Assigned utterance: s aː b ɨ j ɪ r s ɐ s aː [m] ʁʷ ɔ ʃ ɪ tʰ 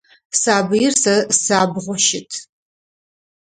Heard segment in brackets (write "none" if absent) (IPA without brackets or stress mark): b